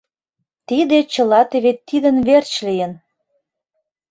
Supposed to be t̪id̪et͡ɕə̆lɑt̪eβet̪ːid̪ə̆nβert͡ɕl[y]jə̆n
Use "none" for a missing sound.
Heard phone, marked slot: i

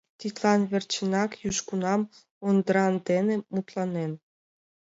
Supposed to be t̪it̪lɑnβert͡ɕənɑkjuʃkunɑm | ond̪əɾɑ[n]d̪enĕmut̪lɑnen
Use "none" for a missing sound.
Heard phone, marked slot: n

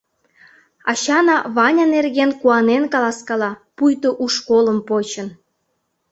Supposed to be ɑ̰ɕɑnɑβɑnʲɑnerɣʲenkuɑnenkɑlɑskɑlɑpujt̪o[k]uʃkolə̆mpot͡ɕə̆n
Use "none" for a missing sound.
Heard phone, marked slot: ʔ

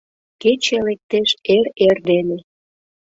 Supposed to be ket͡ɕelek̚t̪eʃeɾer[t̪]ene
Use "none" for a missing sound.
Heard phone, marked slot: d̪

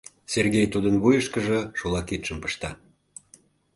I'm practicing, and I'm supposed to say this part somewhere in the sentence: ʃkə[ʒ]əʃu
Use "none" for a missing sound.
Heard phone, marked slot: ʒ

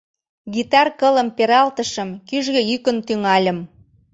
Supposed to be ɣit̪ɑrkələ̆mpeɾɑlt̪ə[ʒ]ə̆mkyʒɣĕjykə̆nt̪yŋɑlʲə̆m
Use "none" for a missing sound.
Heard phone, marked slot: ʃ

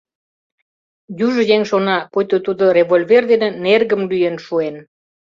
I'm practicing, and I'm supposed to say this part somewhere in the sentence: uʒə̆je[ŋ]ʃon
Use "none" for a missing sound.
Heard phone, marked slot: ŋ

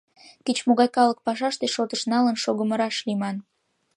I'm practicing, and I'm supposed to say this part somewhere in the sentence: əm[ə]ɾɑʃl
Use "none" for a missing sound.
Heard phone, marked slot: ə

